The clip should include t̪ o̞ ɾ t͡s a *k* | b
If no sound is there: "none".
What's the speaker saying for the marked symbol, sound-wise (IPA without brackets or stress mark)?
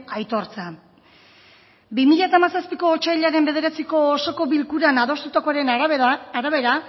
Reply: none